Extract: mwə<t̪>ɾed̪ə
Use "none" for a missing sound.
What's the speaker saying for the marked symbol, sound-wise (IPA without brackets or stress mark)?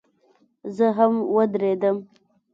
d̪